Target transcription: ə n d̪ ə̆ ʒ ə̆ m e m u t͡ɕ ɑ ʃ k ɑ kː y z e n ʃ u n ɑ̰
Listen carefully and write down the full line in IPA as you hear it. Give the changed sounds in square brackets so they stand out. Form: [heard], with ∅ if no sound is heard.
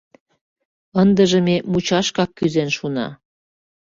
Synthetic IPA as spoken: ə n d̪ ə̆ ʒ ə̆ m e m u t͡ɕ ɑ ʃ k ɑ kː y z e n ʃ u n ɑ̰